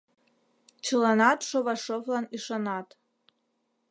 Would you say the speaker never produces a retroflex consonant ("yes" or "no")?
no